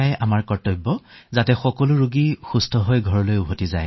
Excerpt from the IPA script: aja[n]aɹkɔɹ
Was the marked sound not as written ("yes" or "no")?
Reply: yes